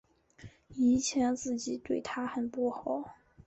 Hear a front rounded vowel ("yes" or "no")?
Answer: no